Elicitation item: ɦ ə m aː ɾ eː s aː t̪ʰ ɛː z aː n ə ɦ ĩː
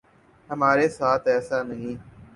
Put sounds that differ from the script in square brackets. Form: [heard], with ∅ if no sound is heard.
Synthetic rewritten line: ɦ ə m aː ɾ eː s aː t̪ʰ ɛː [s] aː n ə ɦ ĩː